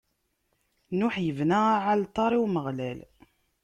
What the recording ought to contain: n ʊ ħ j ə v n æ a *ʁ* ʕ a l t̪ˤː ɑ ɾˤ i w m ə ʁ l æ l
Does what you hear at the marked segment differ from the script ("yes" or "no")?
yes